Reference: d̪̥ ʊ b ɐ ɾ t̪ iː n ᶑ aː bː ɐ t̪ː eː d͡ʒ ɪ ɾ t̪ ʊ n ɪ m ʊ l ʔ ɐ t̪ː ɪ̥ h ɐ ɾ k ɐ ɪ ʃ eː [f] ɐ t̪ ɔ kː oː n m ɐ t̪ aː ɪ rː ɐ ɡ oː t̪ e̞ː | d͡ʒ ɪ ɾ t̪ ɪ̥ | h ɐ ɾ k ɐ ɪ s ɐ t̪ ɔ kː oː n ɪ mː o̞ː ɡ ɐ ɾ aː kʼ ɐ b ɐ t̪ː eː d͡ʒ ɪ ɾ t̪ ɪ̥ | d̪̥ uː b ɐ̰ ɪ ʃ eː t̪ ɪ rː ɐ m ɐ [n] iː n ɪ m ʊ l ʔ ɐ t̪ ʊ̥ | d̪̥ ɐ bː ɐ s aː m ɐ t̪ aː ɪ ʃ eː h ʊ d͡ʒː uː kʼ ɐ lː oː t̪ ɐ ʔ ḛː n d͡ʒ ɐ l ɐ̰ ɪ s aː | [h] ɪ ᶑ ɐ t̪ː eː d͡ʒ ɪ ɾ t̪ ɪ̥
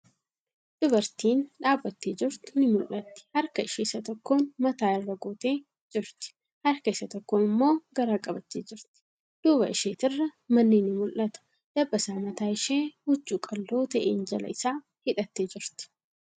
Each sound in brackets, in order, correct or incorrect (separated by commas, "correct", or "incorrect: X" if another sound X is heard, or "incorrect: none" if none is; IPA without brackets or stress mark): incorrect: s, incorrect: nː, correct